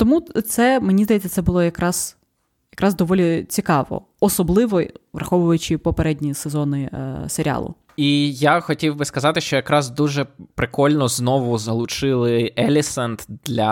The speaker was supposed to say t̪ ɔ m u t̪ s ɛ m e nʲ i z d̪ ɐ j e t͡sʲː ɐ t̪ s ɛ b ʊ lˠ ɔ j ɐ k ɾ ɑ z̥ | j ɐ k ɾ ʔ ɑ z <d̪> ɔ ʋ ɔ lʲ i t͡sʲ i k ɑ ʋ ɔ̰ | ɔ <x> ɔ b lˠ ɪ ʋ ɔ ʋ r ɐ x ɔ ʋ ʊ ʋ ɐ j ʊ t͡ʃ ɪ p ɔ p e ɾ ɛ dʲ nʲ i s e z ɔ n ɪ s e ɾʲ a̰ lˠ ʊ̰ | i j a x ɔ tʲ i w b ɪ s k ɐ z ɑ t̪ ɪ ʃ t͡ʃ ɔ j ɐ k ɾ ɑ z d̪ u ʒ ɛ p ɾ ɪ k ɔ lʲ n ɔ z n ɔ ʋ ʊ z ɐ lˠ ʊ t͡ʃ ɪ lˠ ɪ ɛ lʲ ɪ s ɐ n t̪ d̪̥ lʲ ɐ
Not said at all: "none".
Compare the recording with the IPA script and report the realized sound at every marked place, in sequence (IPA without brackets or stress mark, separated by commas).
d̪, s